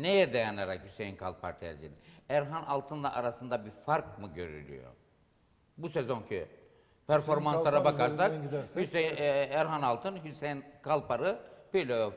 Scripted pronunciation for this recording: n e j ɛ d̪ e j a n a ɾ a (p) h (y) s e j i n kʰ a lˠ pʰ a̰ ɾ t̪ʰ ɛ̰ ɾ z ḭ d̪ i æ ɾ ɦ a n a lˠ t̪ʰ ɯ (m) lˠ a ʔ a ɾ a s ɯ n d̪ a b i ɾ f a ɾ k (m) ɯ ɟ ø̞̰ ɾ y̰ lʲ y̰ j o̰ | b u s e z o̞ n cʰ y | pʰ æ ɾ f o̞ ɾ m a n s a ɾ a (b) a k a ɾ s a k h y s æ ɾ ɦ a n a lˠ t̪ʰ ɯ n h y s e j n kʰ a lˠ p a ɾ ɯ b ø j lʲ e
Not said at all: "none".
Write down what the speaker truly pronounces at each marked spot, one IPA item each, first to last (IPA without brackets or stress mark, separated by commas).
k, y, n, m, b